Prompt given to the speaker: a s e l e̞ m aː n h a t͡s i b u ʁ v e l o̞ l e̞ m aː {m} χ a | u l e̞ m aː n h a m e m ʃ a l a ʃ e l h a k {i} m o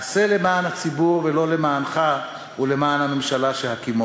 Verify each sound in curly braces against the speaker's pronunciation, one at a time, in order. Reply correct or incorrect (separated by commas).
incorrect, correct